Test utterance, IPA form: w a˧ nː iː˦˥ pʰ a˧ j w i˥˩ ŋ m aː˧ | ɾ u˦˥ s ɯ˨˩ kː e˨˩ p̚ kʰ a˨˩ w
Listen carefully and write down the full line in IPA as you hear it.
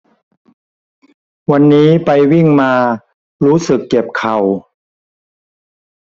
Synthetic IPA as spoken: w a˧ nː iː˦˥ p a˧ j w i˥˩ ŋ m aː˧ | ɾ uː˦˥ s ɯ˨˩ kː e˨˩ p̚ kʰ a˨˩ w